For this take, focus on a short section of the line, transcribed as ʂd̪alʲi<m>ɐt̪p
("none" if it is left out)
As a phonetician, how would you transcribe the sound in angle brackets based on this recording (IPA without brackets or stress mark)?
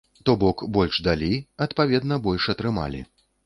none